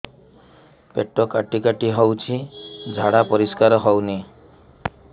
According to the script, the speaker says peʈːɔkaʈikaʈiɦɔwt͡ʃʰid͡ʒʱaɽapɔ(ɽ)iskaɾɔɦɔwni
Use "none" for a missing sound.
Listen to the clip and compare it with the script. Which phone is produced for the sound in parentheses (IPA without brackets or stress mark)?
ɾ